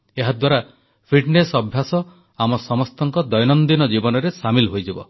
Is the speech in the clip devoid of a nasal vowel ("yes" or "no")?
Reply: yes